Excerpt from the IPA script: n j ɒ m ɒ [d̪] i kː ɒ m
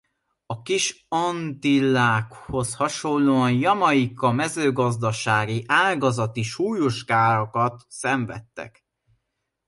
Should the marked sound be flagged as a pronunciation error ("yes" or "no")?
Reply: yes